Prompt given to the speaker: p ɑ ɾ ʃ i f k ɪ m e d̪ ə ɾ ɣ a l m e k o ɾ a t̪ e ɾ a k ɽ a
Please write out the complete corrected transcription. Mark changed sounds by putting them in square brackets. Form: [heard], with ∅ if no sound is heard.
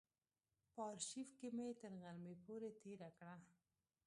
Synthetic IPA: p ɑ ɾ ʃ i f k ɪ m e [t̪] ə ɾ ɣ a l m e [p] o ɾ [e] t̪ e ɾ a k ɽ a